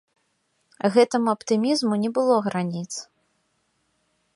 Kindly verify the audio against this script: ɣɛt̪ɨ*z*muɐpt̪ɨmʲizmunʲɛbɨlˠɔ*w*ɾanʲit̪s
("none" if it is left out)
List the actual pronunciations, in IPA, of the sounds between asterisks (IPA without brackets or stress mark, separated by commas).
none, ɣ